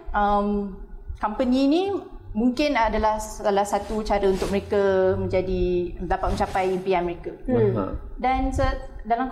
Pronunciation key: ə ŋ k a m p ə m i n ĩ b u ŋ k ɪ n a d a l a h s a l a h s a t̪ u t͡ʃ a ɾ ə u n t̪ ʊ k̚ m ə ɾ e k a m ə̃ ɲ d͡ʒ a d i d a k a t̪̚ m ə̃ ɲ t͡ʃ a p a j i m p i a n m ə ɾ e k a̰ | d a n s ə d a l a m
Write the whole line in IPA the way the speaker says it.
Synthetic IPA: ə m k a m p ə n i n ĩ m u ŋ k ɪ n a d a l a h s a l a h s a t̪ u t͡ʃ a ɾ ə u n t̪ ʊ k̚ m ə ɾ e k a m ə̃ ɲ d͡ʒ a d i d a p a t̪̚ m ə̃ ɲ t͡ʃ a p a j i m p i a n m ə ɾ e k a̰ | d a n s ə d a l a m